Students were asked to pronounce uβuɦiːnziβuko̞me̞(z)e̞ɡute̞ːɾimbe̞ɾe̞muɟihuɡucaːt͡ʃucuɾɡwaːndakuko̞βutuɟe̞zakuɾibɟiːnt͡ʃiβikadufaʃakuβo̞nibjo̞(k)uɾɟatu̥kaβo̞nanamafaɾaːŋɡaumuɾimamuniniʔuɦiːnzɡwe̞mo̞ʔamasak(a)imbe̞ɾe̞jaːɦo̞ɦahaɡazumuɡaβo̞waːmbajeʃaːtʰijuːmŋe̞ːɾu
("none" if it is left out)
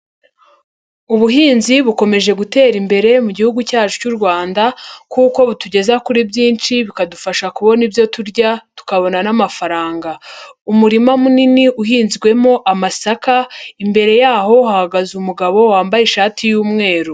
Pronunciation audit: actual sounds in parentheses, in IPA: ʒ, t, a

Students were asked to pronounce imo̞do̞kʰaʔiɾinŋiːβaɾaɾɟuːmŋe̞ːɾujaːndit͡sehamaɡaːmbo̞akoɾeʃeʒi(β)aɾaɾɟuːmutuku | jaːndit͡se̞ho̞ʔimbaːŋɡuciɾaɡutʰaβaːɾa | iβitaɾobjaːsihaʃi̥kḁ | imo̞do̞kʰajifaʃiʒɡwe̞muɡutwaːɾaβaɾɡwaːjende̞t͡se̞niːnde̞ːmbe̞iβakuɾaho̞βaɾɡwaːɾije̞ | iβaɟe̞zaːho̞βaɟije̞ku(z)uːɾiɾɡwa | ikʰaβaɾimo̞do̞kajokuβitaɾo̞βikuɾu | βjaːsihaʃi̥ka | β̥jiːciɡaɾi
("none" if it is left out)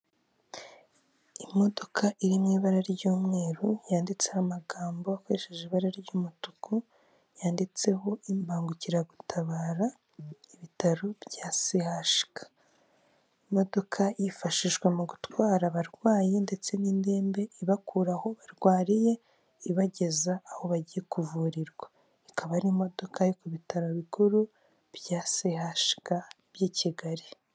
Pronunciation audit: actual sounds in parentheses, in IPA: β, v

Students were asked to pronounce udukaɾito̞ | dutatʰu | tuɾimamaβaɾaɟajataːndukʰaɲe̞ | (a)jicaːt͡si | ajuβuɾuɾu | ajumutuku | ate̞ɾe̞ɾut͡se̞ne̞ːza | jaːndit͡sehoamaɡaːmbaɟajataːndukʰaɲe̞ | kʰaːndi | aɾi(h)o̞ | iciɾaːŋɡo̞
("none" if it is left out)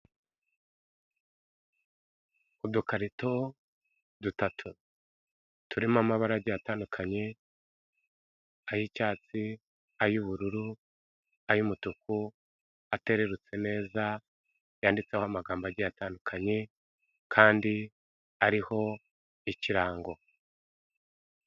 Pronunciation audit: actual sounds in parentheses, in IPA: a, h

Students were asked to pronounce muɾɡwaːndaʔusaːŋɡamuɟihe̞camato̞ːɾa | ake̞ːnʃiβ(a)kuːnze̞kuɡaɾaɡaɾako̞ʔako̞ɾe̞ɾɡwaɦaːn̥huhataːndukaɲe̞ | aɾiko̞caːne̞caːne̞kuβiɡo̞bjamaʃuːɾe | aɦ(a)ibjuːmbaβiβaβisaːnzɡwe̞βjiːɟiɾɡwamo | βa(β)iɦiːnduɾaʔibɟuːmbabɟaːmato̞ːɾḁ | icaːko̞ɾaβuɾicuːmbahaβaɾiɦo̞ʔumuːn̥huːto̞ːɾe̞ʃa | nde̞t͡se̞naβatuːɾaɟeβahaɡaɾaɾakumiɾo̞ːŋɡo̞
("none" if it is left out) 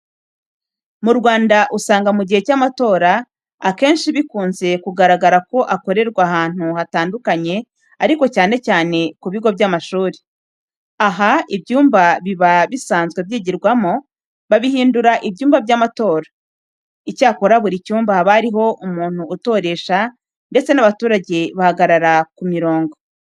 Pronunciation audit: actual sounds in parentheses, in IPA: i, a, β

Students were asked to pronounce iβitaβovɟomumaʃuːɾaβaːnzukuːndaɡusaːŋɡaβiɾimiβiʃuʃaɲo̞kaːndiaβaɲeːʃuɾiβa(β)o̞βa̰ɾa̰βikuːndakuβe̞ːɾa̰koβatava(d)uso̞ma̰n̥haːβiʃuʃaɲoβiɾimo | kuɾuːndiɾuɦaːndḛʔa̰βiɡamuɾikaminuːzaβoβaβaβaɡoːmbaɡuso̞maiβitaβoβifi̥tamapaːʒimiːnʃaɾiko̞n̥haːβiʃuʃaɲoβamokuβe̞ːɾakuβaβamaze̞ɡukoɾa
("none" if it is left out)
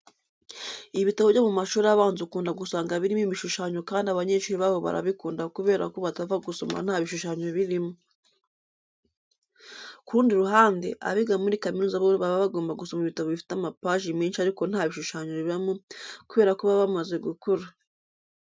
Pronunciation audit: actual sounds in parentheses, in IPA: β, ɡ

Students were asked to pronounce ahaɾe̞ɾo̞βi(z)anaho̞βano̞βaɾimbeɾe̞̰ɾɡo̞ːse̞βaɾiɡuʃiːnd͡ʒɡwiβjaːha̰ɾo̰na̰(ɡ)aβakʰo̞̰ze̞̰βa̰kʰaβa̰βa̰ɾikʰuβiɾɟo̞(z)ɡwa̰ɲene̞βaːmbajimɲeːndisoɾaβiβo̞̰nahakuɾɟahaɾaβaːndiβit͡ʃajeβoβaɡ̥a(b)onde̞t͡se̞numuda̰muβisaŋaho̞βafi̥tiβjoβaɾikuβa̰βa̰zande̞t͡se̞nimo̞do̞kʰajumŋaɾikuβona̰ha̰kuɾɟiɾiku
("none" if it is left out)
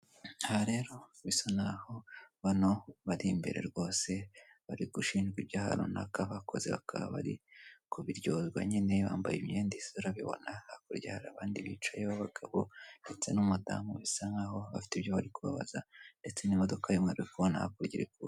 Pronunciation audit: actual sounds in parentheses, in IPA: s, k, z, β

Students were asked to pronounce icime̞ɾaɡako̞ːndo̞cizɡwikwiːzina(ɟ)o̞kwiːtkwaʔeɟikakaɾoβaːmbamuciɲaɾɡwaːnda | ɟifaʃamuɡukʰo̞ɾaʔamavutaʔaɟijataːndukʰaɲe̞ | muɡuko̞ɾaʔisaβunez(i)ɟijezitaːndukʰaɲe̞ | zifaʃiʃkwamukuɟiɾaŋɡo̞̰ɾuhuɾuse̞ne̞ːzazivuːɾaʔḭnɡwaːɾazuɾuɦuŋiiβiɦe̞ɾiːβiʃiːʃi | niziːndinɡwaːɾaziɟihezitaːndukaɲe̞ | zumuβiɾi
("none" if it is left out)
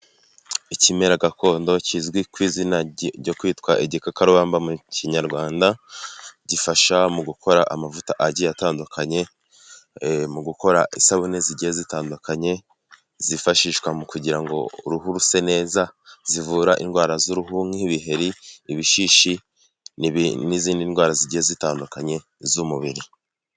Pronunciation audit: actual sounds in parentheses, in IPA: ɟ, i

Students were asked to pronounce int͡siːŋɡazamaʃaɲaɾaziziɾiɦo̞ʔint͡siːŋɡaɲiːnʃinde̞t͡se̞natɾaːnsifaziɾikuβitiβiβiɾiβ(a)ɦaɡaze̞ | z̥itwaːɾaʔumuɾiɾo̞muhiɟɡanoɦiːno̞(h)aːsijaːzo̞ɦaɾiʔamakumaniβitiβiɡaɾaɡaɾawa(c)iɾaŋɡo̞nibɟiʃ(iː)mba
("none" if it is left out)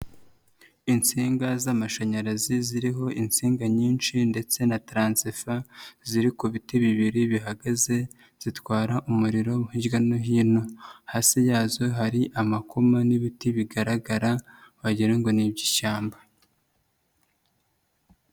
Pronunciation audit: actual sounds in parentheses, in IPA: i, h, ɟ, aː

